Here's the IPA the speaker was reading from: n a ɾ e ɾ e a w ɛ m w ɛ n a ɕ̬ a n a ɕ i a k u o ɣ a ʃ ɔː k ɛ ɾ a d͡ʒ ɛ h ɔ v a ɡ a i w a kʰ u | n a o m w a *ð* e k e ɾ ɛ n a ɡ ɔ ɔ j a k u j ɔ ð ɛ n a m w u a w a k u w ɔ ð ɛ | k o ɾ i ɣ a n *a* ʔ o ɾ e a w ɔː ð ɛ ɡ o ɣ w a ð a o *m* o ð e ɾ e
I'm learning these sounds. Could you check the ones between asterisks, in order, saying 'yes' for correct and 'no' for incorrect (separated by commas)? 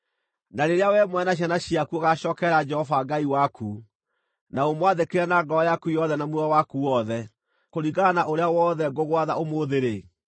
yes, yes, yes